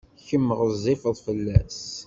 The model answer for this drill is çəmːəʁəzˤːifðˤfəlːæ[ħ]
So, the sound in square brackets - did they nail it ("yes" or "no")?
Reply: no